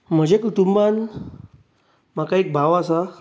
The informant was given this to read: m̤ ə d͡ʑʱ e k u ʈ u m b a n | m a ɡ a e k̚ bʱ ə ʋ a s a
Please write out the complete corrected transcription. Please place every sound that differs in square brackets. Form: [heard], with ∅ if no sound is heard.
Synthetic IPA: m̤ ə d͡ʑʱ e k u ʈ u m b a n | m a [k] a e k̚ bʱ [a] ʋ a s a